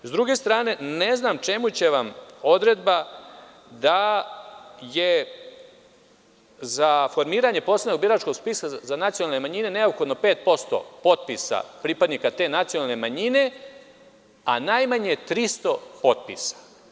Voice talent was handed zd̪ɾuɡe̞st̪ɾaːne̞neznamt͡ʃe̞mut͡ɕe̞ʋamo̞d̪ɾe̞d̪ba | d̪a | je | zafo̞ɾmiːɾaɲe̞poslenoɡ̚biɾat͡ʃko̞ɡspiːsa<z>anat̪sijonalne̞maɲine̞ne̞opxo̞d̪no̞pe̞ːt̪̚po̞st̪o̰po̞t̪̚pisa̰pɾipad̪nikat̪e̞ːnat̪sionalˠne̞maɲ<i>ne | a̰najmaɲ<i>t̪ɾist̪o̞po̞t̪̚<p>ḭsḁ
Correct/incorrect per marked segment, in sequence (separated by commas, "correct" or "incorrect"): correct, correct, incorrect, correct